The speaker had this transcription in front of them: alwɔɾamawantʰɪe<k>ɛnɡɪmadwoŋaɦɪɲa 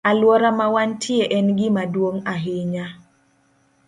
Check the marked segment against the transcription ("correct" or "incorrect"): incorrect